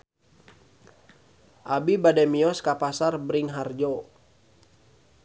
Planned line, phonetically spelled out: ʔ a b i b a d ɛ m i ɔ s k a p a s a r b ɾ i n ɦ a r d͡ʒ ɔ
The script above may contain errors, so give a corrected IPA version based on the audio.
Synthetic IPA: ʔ a b i b a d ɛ m i ɔ s k a p a s a r b ɾ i ŋ ɦ a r d͡ʒ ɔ